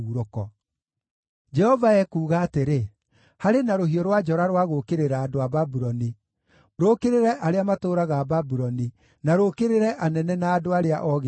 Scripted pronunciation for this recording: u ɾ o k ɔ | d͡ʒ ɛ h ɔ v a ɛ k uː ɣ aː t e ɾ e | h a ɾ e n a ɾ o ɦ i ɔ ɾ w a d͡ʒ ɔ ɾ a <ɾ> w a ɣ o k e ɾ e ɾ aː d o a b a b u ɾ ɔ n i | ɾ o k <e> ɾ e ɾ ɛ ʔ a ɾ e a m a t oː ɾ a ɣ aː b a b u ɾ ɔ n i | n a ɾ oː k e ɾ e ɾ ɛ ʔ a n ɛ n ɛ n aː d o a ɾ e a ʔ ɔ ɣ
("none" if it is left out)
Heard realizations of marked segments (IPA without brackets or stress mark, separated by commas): ɾ, e